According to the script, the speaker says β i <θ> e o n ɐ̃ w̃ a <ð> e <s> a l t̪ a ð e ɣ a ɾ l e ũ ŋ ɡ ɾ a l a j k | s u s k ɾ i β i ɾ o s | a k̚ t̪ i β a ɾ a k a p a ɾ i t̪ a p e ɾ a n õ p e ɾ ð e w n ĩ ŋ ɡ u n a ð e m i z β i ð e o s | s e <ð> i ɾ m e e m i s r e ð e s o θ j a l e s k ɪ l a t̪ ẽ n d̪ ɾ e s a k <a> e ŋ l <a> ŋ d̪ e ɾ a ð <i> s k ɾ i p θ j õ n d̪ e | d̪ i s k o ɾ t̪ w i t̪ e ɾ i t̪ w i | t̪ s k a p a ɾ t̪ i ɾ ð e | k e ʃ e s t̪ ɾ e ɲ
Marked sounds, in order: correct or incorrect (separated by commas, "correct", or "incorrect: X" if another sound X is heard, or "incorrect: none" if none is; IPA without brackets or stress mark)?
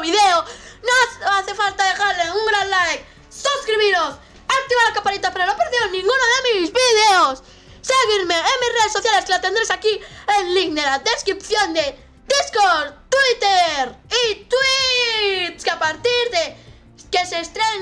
incorrect: ð, incorrect: θ, incorrect: f, incorrect: ɣ, incorrect: i, incorrect: i, incorrect: e